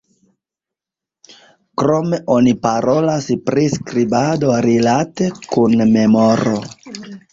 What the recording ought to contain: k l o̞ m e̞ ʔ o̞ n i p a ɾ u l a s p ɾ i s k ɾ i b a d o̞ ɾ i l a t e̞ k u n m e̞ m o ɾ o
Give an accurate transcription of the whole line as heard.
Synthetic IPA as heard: k ɾ o̞ m e̞ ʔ o̞ n i p a ɾ o l a s p ɾ i s k ɾ i b a d o̞ ɾ i l a t e̞ k u n m e̞ m o ɾ o